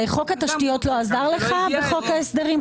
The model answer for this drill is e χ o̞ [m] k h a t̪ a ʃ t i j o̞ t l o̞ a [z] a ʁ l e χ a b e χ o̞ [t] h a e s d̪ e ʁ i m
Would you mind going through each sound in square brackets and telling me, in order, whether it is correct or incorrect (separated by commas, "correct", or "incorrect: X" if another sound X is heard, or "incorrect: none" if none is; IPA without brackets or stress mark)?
incorrect: none, correct, incorrect: k